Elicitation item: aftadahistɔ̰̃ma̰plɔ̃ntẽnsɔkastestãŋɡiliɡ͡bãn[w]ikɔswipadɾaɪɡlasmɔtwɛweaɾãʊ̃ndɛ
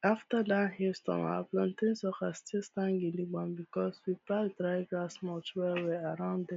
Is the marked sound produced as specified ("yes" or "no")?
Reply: no